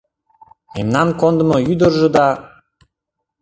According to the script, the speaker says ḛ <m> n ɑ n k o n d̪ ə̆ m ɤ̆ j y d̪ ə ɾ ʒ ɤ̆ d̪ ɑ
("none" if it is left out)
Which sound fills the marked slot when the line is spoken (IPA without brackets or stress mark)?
m